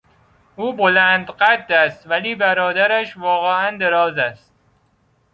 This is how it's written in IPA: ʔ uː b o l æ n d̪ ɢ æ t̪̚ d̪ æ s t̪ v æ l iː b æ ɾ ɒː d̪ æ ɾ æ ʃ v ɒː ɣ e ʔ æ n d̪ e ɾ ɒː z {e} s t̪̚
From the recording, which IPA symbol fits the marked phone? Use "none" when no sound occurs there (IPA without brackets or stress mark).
æ